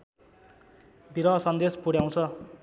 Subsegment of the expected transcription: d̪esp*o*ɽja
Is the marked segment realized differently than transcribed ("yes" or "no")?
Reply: yes